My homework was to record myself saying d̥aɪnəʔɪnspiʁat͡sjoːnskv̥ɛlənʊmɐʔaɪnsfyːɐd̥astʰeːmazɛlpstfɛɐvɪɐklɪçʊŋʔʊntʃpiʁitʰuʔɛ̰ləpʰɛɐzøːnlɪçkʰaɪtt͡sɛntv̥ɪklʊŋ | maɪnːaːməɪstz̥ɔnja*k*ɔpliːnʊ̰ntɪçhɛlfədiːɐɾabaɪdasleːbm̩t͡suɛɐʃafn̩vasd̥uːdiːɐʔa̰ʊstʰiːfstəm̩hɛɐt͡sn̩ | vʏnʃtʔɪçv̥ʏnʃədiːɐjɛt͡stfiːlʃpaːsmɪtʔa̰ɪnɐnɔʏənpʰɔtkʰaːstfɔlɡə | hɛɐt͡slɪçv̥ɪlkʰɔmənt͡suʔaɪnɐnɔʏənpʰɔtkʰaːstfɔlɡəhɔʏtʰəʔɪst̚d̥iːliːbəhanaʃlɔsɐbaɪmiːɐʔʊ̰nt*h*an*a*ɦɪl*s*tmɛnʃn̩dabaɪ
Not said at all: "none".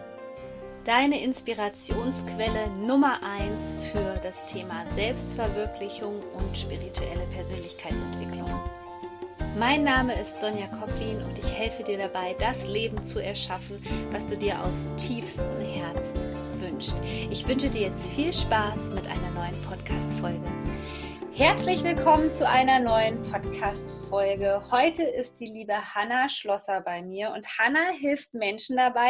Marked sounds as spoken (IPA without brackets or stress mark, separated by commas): kʰ, h, a, f